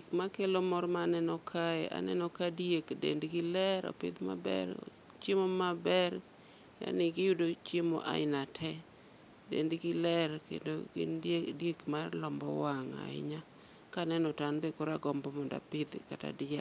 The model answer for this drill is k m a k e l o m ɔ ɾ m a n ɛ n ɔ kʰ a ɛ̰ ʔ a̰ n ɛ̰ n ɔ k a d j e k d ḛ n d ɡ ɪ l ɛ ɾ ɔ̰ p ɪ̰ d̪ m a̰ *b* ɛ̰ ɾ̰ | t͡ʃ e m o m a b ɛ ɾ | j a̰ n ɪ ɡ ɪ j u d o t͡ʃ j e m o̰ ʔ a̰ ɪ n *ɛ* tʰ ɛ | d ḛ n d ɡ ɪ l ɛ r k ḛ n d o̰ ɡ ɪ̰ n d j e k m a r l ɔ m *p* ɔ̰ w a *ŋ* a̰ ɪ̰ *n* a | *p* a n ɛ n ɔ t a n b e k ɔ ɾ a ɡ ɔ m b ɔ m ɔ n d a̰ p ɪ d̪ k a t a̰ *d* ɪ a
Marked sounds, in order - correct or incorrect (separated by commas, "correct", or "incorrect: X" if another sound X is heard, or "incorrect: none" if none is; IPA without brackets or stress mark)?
correct, incorrect: a, incorrect: b, correct, incorrect: ɲ, incorrect: k, correct